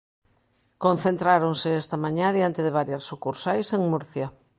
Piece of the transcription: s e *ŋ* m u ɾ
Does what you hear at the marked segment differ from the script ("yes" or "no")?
no